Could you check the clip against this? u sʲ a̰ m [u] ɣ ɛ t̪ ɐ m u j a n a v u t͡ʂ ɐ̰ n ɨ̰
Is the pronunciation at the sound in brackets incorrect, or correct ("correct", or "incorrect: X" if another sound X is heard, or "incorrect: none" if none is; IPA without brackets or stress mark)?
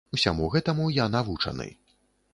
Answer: correct